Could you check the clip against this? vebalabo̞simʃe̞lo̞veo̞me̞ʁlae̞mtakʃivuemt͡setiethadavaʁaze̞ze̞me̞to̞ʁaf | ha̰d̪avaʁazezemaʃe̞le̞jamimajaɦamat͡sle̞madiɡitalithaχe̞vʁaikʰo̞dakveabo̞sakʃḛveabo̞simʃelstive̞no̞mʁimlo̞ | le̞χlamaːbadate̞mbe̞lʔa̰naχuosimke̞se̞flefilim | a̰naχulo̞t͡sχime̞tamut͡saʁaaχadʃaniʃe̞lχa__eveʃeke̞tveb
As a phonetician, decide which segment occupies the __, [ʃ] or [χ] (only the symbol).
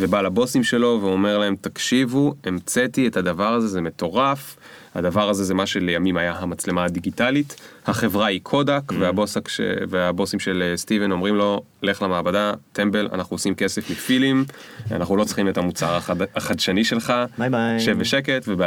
ʃ